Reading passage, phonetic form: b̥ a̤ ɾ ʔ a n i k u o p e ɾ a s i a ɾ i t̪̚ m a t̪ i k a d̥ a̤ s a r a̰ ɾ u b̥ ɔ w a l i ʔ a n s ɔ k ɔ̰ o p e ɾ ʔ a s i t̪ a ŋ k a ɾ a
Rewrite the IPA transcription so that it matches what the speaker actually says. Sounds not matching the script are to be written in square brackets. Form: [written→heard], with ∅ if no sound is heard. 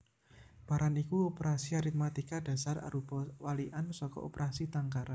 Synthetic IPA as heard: b̥ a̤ ɾ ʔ a n i k u o p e ɾ a s i a ɾ i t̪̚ m a t̪ i k a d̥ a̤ s a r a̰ ɾ u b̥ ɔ w a l i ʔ a n s ɔ k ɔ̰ o p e ɾ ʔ a s i t̪ a ŋ k a ɾ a